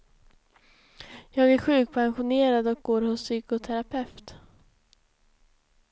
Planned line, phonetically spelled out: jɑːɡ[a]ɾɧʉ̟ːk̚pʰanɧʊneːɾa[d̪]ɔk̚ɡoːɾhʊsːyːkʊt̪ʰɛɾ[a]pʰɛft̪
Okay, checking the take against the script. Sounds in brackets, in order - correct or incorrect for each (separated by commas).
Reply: incorrect, correct, correct